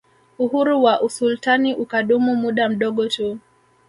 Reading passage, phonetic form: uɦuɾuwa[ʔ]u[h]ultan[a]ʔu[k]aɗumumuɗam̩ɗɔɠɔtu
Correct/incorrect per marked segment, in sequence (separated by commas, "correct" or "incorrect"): correct, incorrect, incorrect, correct